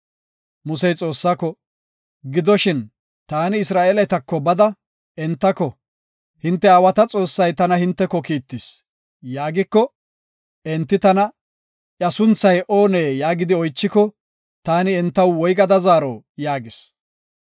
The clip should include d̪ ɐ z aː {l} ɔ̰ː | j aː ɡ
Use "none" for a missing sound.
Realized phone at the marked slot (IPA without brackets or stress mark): ɾ